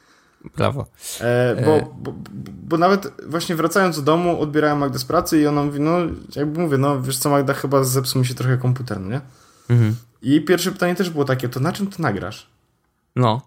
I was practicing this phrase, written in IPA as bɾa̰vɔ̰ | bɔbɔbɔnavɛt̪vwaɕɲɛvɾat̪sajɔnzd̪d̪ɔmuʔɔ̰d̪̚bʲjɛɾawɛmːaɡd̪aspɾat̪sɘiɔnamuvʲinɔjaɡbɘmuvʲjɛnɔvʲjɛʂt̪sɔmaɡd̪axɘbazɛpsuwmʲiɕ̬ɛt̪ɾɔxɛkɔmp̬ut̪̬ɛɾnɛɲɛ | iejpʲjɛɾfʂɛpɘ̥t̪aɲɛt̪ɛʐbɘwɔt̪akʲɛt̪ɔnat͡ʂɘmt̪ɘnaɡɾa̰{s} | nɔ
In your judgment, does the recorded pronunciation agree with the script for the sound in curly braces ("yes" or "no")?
no